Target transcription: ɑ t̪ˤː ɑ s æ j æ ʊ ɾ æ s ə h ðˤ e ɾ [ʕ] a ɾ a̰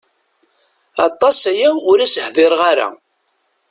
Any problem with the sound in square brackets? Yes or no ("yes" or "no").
yes